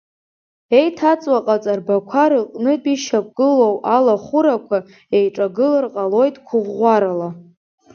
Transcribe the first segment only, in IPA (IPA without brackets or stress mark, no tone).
e̞